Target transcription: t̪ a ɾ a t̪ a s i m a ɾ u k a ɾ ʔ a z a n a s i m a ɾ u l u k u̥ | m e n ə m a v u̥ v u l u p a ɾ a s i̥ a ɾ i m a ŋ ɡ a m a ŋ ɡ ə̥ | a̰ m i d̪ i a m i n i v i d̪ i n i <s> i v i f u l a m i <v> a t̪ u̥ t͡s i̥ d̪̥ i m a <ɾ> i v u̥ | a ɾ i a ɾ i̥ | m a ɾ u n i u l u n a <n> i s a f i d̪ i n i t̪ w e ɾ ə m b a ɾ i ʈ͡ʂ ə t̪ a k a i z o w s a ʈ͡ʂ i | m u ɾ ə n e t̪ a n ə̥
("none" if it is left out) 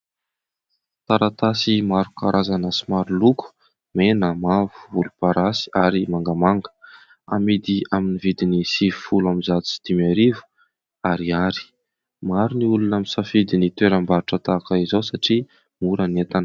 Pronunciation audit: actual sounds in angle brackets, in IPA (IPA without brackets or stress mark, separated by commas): s, z, ɾ, m